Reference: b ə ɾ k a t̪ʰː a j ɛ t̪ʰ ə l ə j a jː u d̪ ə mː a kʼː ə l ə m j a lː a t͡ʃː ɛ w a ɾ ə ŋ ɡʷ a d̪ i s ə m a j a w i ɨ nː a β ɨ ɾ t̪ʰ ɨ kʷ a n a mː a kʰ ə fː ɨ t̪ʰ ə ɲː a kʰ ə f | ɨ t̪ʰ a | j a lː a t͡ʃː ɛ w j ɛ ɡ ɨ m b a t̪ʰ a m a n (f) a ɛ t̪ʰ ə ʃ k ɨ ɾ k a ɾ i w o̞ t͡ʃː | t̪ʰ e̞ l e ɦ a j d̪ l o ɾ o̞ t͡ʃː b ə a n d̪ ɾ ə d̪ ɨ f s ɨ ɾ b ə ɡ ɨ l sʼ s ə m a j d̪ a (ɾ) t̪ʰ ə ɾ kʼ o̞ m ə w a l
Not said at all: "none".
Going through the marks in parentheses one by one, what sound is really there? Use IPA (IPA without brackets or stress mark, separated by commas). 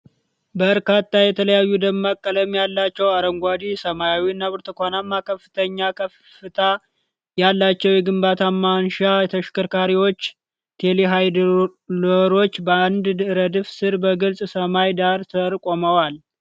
ʃ, ɾ